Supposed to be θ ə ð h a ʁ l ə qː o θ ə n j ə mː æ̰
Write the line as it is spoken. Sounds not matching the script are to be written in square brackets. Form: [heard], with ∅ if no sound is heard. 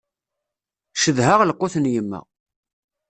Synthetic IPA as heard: [ʃ] ə ð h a ʁ l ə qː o θ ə n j ə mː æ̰